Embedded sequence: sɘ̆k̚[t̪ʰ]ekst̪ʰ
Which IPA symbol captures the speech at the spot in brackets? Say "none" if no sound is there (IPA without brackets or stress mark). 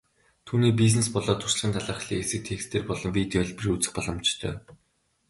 t̪ʰ